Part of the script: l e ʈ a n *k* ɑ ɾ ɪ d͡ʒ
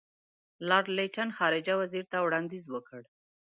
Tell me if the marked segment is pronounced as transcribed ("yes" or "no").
no